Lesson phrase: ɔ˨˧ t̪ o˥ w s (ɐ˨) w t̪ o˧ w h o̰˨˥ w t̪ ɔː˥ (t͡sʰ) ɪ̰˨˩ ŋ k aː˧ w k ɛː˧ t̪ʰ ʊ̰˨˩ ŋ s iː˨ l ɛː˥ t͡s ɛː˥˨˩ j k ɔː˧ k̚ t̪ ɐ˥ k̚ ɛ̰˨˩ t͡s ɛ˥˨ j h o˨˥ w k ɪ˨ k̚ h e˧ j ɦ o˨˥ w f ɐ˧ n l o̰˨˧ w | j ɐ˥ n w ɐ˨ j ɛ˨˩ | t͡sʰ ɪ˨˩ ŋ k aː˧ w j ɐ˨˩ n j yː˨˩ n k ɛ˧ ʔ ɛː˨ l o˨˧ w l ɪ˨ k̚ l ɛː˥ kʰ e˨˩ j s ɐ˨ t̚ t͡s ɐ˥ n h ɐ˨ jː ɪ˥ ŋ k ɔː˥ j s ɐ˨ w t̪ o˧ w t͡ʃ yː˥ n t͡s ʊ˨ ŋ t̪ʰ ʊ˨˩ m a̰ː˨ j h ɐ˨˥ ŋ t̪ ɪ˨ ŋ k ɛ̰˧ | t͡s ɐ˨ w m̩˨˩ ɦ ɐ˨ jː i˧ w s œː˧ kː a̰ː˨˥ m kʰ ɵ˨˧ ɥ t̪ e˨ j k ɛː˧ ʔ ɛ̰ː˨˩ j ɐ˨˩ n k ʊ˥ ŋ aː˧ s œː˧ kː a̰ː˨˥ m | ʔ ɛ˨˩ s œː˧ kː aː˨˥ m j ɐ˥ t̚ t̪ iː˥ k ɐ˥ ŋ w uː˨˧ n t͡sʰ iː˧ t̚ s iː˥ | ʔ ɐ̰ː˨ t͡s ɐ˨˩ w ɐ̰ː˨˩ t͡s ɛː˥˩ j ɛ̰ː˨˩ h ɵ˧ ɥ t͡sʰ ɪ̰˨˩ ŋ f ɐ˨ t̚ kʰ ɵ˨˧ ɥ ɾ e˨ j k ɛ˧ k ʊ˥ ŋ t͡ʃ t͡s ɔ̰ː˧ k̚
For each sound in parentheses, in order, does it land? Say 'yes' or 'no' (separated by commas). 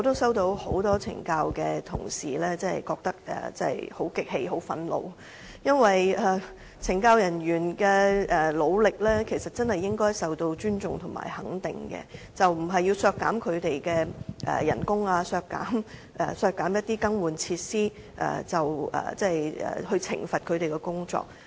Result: no, yes